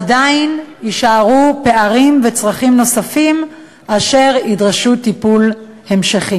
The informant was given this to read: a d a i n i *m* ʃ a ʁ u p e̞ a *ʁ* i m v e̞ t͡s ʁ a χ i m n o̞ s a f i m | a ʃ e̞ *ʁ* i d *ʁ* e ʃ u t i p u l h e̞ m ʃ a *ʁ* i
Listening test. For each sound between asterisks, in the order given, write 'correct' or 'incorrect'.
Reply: incorrect: none, correct, correct, correct, incorrect: χ

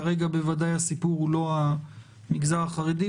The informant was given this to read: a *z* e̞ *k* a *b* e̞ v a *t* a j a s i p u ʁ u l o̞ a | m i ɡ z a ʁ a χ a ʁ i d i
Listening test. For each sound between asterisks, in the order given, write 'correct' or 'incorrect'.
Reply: incorrect: ʁ, incorrect: ɡ, correct, incorrect: d

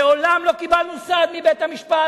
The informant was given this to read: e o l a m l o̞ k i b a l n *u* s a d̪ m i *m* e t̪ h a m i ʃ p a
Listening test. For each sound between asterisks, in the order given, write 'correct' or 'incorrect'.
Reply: correct, incorrect: b

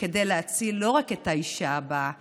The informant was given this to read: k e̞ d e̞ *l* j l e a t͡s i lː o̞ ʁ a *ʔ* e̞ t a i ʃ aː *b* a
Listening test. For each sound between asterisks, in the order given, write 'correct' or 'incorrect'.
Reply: incorrect: none, incorrect: k, correct

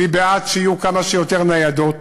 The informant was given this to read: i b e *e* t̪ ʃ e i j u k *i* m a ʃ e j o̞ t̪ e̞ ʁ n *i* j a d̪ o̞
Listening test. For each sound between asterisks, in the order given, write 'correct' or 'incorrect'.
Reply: incorrect: a, incorrect: a, incorrect: a

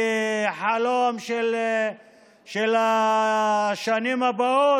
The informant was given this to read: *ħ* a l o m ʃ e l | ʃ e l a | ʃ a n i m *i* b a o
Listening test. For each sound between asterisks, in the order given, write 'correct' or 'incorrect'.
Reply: correct, incorrect: a

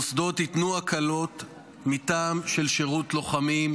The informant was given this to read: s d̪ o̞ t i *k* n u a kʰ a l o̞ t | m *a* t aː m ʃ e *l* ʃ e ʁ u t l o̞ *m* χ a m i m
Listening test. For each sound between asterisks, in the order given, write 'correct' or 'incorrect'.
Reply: incorrect: t, incorrect: i, correct, incorrect: none

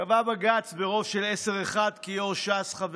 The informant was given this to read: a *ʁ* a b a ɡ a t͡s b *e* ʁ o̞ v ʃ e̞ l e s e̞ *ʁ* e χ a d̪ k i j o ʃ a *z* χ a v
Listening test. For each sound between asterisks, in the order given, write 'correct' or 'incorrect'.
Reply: incorrect: v, correct, correct, incorrect: s

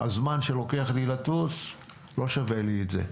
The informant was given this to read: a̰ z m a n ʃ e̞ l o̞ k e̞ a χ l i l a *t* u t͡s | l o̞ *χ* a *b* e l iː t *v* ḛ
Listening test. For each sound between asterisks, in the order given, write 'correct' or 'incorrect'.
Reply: correct, incorrect: ʃ, incorrect: v, incorrect: z

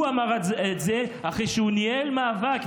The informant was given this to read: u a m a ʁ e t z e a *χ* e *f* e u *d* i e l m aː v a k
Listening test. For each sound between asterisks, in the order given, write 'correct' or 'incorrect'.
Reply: correct, incorrect: ʃ, incorrect: n

